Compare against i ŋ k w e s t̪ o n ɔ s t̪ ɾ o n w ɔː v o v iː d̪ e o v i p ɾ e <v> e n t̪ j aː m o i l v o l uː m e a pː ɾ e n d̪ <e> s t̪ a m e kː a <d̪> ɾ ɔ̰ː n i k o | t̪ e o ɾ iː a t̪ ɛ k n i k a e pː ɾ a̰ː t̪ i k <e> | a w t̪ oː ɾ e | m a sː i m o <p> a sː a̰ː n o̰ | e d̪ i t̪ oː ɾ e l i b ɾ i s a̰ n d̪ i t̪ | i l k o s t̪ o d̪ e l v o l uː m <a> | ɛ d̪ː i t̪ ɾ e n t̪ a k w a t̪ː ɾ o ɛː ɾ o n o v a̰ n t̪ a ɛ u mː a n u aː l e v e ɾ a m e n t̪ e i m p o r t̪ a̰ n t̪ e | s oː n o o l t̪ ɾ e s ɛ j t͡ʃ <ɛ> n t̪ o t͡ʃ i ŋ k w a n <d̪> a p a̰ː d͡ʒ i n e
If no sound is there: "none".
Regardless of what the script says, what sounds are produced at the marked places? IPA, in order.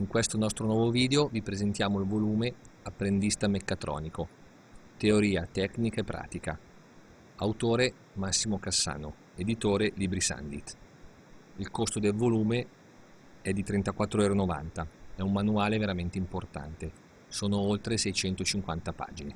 z, i, t̪, a, k, e, ɛ, t̪

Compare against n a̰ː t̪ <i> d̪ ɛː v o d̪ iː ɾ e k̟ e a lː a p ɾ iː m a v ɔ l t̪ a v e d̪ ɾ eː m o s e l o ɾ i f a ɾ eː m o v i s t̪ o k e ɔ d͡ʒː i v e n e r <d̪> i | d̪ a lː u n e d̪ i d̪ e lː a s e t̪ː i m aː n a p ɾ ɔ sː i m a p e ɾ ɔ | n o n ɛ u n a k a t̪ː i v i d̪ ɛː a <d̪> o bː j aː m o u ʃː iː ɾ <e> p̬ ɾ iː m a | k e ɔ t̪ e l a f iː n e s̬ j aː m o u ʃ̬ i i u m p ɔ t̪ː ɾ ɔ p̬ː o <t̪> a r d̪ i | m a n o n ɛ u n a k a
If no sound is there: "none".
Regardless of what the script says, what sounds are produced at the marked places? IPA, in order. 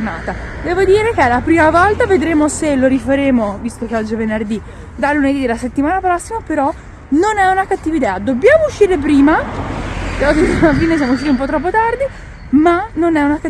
a, d̪, d̪, e, t̪

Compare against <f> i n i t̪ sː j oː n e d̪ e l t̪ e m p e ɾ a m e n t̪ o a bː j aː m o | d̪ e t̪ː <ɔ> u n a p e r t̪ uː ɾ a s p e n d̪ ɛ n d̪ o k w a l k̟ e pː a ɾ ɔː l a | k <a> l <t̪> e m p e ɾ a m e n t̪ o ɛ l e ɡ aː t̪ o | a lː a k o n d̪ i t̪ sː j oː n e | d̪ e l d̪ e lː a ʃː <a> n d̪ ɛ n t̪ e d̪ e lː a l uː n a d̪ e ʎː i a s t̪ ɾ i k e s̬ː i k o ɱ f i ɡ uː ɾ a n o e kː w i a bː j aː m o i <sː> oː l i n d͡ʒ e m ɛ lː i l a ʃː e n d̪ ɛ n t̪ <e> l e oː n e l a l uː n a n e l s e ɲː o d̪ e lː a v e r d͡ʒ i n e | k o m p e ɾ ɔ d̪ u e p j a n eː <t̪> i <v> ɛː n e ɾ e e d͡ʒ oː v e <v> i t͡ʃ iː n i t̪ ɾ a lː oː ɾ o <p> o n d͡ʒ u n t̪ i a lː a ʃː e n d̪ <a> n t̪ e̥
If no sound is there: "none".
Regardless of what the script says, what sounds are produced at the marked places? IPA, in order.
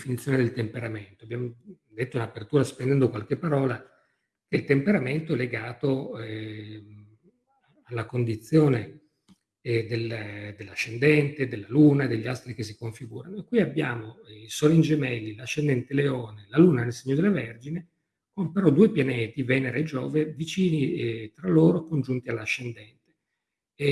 f, o, e, t̪, e, s, e, t̪, v, v, k, ɛ

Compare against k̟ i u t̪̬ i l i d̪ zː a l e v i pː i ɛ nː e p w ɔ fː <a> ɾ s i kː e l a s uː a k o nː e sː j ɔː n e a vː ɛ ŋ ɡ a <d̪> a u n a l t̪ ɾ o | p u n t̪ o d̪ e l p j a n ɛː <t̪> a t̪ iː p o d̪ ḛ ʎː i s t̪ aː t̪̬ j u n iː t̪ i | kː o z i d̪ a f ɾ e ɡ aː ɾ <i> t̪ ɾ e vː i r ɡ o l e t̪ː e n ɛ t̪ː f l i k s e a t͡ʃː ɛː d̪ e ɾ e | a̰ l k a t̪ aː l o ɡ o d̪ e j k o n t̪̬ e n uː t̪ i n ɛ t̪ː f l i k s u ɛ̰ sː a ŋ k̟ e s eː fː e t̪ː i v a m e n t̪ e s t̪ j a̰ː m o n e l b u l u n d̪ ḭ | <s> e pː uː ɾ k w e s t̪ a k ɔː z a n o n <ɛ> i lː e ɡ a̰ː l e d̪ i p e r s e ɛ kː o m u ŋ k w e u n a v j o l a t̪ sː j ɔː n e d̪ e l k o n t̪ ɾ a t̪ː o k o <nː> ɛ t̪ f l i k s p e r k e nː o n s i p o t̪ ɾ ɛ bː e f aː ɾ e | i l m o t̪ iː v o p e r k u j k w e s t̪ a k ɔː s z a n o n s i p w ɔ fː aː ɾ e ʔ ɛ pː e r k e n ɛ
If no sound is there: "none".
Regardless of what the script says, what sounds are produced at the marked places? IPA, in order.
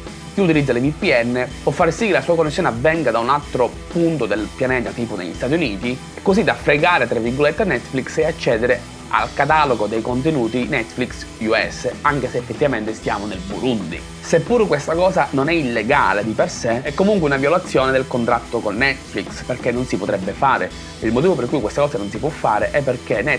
a, d̪, t̪, e, s, ɛ, nː

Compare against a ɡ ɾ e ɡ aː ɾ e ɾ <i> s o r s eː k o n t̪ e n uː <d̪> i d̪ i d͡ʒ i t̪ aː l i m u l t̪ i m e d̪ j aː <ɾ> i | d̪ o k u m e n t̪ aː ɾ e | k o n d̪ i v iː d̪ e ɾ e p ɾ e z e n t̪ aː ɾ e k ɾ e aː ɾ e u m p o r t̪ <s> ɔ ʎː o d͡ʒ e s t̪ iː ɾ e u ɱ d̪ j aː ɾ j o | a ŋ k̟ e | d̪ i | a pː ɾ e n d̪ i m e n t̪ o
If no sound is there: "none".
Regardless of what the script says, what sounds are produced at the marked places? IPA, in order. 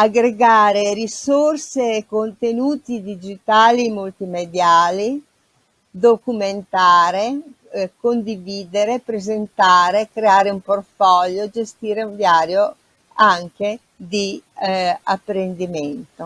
i, t̪, l, f

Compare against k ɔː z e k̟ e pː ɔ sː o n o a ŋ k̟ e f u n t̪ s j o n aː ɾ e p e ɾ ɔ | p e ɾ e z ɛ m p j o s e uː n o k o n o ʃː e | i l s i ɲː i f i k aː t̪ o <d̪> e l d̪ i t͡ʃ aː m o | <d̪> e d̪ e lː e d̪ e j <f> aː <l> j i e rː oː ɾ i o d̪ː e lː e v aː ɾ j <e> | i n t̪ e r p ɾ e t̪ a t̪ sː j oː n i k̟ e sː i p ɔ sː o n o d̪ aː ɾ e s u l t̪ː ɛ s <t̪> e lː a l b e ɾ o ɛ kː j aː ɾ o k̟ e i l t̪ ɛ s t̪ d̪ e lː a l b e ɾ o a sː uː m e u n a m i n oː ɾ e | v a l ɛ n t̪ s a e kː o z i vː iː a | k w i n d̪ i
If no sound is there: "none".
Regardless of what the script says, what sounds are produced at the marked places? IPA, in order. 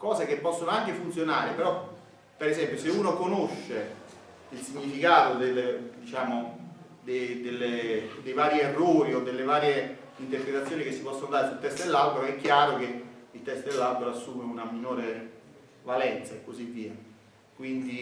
d̪, d̪, v, ɾ, e, t̪

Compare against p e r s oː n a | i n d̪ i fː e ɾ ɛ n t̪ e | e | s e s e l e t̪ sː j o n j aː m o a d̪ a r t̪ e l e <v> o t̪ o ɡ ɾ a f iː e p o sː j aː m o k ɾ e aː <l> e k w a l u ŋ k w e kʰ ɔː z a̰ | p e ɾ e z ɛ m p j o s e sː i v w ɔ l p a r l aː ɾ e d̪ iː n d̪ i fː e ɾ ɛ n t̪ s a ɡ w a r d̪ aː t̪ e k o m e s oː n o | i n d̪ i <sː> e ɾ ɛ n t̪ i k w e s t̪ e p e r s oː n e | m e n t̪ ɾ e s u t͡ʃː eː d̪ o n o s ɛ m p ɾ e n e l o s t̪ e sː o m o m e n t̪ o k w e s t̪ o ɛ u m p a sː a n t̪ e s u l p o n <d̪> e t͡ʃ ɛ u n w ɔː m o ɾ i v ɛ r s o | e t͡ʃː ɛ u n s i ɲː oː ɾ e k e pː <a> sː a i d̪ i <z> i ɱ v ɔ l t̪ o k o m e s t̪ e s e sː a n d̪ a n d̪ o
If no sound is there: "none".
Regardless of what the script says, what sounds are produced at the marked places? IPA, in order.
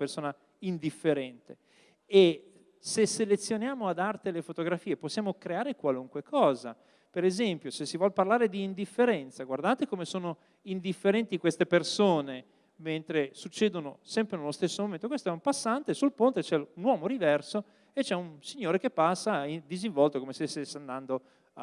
f, ɾ, fː, t̪, a, z

